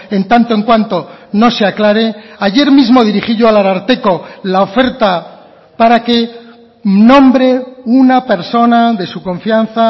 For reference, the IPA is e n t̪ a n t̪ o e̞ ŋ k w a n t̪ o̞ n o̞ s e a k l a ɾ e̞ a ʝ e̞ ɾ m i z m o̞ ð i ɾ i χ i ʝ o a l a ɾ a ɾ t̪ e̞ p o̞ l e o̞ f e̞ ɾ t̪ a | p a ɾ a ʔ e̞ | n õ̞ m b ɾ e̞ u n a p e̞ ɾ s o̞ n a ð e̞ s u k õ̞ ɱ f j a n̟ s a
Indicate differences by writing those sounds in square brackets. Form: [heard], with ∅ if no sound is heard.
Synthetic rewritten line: e n t̪ a n t̪ o e̞ ŋ k w a n t̪ o̞ n o̞ s e a k l a ɾ e̞ a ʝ e̞ ɾ m i z m o̞ ð i ɾ i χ i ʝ o a l a ɾ a ɾ t̪ e̞ [k] o̞ l [a] o̞ f e̞ ɾ t̪ a | p a ɾ a [k] e̞ | n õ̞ m b ɾ e̞ u n a p e̞ ɾ s o̞ n a ð e̞ s u k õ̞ ɱ f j a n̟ [θ] a

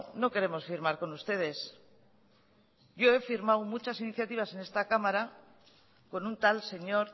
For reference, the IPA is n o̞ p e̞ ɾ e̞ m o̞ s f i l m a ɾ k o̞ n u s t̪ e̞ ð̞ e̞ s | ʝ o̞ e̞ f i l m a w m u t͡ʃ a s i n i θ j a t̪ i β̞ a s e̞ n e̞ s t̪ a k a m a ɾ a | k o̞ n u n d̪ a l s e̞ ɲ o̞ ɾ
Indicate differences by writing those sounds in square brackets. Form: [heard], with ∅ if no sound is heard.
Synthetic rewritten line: n o̞ [k] e̞ ɾ e̞ m o̞ s f i [ɾ] m a ɾ k o̞ n u s t̪ e̞ ð̞ e̞ s | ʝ o̞ e̞ f i [ɾ] m a w m u t͡ʃ a s i n i θ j a t̪ i β̞ a s e̞ n e̞ s t̪ a k a m a ɾ a | k o̞ n u n [t̪] a l s e̞ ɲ o̞ ɾ

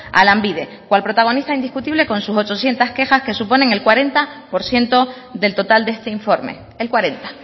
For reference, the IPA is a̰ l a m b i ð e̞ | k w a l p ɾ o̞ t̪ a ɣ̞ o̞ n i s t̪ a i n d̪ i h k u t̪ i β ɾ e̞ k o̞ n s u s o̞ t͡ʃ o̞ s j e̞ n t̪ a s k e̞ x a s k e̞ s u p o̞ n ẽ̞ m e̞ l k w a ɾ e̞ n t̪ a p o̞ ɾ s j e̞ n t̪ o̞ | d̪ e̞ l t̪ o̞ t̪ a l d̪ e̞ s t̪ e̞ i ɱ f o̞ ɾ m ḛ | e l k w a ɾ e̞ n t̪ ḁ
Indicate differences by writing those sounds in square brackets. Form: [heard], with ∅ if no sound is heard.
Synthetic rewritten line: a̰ l a m b i ð e̞ | k w a l p ɾ o̞ t̪ a ɣ̞ o̞ n i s t̪ a i n d̪ i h k u t̪ i β [l] e̞ k o̞ n s u s o̞ t͡ʃ o̞ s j e̞ n t̪ a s k e̞ x a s k e̞ s u p o̞ n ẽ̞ [ŋ] e̞ l k w a ɾ e̞ n t̪ a p o̞ ɾ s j e̞ n t̪ o̞ | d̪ e̞ l t̪ o̞ t̪ a l d̪ e̞ s t̪ e̞ i ɱ f o̞ ɾ m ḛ | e l k w a ɾ e̞ n t̪ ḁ

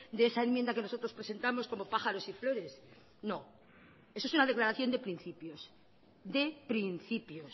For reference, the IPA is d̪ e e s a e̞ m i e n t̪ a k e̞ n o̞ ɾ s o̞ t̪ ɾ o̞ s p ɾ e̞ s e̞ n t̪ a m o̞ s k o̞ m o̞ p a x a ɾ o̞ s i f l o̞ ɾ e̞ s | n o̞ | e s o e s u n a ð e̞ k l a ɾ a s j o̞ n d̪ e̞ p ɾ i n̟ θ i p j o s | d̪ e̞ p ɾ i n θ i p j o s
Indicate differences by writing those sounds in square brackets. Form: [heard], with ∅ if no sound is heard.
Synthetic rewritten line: d̪ e e s a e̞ m [j] e n [d̪] a k e̞ n o̞ [∅] s o̞ t̪ ɾ o̞ s p ɾ e̞ s e̞ n t̪ a m o̞ s k o̞ m o̞ p a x a ɾ o̞ s i f l o̞ ɾ e̞ s | n o̞ | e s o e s u n a ð e̞ k l a ɾ a [θ] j o̞ n d̪ e̞ p ɾ i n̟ θ i p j o s | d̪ e̞ p ɾ i n θ i p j o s

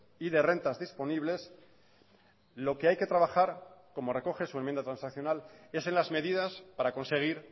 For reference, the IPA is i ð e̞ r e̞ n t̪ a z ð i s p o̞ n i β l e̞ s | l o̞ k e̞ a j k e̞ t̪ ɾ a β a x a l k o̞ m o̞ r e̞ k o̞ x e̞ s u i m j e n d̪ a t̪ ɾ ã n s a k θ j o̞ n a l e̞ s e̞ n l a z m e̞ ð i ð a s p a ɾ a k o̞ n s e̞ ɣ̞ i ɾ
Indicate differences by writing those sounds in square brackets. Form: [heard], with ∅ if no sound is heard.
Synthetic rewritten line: i ð e̞ r e̞ n t̪ a z ð i s p o̞ n i β l e̞ s | l o̞ k e̞ a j k e̞ t̪ ɾ a β a x a [ɾ] k o̞ m o̞ r e̞ k o̞ x e̞ s u [e] m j e n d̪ a t̪ ɾ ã n s a k θ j o̞ n a l e̞ s e̞ n l a z m e̞ ð i ð a s p a ɾ a k o̞ n s e̞ ɣ̞ i ɾ

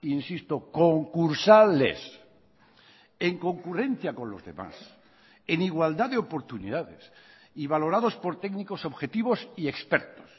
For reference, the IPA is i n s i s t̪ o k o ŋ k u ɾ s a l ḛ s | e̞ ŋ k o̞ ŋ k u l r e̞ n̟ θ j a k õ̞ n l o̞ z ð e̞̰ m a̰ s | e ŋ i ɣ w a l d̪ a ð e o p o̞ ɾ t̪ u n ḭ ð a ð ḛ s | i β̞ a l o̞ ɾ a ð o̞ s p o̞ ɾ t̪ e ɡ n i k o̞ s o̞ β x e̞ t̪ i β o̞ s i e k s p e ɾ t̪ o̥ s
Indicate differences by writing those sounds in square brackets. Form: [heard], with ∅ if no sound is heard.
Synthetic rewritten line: i n s i s t̪ o k o ŋ k u ɾ s a l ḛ s | e̞ ŋ k o̞ ŋ k u [∅] r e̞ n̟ θ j a k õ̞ n l o̞ z ð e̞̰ m a̰ s | e [n] i ɣ w a l d̪ a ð e o p o̞ ɾ t̪ u n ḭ ð a ð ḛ s | i β̞ a l o̞ ɾ a ð o̞ s p o̞ ɾ t̪ e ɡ n i k o̞ s o̞ β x e̞ t̪ i β o̞ s i e k s p e ɾ t̪ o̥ s

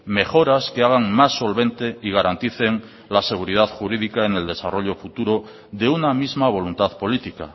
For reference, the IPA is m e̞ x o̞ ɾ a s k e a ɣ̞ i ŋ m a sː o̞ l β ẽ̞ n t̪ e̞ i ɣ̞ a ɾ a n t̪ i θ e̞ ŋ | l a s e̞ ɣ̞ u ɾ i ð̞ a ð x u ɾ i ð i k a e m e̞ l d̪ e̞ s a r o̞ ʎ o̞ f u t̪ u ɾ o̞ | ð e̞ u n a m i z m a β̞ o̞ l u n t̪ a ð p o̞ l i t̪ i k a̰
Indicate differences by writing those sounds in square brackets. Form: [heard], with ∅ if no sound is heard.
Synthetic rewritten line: m e̞ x o̞ ɾ a s k e a ɣ̞ [a] ŋ m a sː o̞ l β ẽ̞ n t̪ e̞ i ɣ̞ a ɾ a n t̪ i θ e̞ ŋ | l a s e̞ ɣ̞ u ɾ i ð̞ a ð x u ɾ i ð i k a e [n] e̞ l d̪ e̞ s a r o̞ ʎ o̞ f u t̪ u ɾ o̞ | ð e̞ u n a m i z m a β̞ o̞ l u n t̪ a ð p o̞ l i t̪ i k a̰

